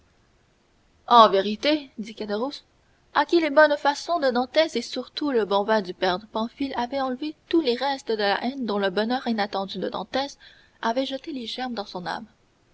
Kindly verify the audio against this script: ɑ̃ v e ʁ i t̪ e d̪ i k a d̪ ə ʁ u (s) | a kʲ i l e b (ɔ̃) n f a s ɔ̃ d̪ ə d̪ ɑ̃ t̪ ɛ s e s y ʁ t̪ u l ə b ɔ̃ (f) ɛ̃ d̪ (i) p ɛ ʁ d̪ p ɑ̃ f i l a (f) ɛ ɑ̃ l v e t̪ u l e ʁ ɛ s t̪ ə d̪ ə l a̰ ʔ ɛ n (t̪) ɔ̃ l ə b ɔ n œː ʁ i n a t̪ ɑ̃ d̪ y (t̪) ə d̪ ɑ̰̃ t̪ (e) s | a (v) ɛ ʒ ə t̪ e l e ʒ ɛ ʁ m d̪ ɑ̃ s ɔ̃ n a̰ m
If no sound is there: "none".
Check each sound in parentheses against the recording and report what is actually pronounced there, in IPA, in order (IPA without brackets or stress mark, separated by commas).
s, ɔ, v, y, v, d̪, d̪, ɛ, v